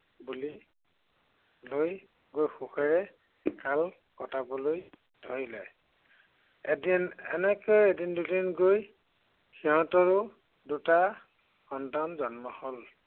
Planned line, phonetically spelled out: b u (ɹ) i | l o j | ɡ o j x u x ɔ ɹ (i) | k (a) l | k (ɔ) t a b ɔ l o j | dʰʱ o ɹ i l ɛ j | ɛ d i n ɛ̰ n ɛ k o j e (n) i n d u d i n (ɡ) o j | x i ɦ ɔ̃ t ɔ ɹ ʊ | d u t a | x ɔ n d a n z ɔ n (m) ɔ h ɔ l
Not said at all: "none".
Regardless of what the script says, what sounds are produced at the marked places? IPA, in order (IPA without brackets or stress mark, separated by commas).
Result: l, ɛ, a, ɔ, d, ɡ, m